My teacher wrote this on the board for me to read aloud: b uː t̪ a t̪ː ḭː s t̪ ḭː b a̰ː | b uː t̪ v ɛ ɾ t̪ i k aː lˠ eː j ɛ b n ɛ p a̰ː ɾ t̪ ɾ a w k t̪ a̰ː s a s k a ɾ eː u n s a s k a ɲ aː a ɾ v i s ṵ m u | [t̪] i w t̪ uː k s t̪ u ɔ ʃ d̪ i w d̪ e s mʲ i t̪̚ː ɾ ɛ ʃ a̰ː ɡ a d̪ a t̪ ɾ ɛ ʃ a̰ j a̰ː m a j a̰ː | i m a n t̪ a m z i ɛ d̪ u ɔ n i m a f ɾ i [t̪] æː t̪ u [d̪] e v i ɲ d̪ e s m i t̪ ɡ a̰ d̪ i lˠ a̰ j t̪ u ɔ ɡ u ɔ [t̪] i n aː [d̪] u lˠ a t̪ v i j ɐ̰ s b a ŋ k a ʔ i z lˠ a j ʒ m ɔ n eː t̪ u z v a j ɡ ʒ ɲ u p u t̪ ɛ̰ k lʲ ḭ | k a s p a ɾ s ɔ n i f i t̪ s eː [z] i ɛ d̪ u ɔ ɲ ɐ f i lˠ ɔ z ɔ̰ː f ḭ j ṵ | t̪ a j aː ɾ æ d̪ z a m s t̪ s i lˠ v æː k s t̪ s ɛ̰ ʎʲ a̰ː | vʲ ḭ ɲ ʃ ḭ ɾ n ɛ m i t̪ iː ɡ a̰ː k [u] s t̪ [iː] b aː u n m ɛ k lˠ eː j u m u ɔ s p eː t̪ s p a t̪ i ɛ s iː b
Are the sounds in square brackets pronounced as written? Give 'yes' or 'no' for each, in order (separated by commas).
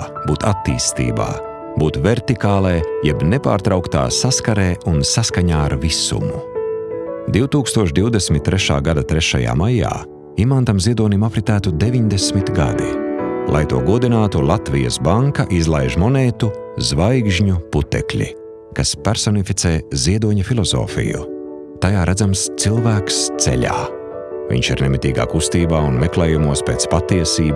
no, yes, yes, no, no, yes, yes, yes